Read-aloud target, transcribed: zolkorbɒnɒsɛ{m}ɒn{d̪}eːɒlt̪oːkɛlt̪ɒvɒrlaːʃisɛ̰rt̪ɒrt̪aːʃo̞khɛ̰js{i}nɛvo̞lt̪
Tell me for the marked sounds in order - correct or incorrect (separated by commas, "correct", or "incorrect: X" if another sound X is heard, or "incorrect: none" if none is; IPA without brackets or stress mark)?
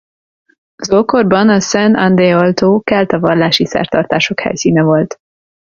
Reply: incorrect: n, correct, incorrect: iː